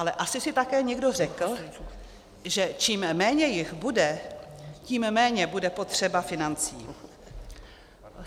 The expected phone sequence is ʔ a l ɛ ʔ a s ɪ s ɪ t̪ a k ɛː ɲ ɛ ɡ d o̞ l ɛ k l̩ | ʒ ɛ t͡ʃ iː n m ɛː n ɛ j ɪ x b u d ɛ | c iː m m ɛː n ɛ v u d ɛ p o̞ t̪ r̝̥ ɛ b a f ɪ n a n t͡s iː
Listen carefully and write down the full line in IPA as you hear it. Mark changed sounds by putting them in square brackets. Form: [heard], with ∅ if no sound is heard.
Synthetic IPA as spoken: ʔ a l ɛ ʔ a s ɪ s ɪ t̪ a k ɛː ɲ ɛ ɡ d o̞ [r] ɛ k l̩ | ʒ ɛ t͡ʃ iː [m] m ɛː [ɲ] ɛ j ɪ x b u d ɛ | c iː m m ɛː [ɲ] ɛ [b] u d ɛ p o̞ t̪ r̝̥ ɛ b a f ɪ n a n t͡s iː